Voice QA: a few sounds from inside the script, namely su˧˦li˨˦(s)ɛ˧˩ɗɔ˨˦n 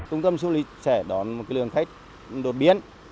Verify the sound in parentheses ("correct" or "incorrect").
correct